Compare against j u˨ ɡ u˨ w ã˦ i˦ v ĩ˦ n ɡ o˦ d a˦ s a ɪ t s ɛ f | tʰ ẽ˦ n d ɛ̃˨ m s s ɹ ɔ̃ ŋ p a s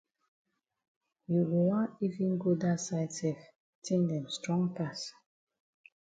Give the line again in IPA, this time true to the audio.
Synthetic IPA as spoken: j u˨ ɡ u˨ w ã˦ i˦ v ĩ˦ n ɡ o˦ d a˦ s a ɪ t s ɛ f | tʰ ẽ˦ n d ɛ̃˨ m s t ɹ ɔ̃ ŋ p a s